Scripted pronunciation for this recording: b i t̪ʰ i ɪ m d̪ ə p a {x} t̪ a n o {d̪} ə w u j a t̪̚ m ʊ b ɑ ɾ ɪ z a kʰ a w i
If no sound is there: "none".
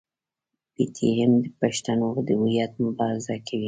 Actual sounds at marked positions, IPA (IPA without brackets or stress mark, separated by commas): ʃ, d̪